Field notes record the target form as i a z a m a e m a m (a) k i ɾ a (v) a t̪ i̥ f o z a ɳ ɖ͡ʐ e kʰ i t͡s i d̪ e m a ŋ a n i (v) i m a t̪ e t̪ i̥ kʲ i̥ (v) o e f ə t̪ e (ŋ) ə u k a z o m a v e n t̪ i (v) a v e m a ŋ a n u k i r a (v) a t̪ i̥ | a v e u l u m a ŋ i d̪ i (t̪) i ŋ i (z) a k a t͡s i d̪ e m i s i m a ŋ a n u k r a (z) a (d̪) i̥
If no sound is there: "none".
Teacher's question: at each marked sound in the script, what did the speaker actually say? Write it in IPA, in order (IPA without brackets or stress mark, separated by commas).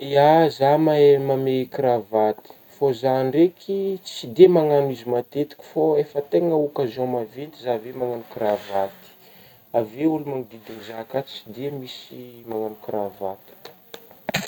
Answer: e, v, z, f, ŋ, z, v, d̪, z, v, t̪